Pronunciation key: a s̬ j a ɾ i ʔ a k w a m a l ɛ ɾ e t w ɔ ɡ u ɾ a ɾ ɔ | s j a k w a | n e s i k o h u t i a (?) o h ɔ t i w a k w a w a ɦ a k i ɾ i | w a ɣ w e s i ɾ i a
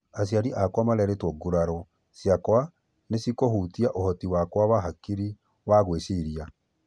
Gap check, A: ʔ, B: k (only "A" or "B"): A